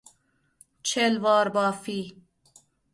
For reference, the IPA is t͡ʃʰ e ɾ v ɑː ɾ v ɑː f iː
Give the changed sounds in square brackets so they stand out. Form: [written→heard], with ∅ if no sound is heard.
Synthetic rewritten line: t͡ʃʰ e [ɾ→l] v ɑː ɾ [v→b] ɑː f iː